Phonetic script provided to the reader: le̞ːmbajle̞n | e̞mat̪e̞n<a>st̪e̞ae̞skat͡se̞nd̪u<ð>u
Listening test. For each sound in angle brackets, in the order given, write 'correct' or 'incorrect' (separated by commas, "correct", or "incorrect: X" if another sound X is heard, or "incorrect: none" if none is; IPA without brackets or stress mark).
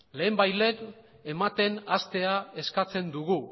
correct, incorrect: ɣ